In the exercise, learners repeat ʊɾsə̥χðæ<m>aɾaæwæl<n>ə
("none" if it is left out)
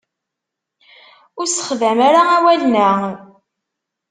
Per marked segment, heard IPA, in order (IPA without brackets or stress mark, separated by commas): m, n